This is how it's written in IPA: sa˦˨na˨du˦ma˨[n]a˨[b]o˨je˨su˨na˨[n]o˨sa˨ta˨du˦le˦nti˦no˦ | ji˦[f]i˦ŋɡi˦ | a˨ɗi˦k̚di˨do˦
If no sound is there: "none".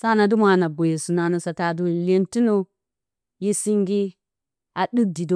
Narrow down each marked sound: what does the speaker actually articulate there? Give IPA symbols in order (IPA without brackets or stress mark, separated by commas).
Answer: n, b, n, s